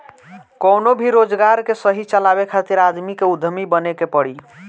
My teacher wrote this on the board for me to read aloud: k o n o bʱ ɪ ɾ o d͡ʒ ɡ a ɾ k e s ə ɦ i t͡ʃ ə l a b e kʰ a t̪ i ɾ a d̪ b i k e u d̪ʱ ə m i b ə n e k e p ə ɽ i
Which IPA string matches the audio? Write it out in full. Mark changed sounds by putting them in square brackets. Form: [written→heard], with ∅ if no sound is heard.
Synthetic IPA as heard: k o n o bʱ [ɪ→i] ɾ o d͡ʒ ɡ a ɾ k e s ə ɦ i t͡ʃ ə l a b e kʰ a t̪ i ɾ a d̪ [b→m] i k e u d̪ʱ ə m i b ə n e k e p ə ɽ i